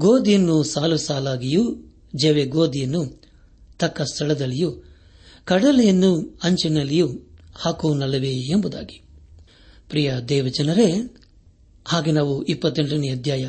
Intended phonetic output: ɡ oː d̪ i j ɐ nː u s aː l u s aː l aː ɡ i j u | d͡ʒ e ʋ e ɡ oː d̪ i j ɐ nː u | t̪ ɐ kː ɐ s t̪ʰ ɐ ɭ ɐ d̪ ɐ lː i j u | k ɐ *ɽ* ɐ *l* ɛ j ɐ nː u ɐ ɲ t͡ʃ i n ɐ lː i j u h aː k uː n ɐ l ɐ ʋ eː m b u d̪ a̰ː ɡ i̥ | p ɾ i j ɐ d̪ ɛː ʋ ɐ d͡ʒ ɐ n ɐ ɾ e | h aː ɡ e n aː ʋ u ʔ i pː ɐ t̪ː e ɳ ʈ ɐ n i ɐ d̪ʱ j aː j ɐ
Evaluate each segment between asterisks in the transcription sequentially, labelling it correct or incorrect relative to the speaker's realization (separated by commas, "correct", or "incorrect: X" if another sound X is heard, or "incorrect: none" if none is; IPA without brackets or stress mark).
correct, correct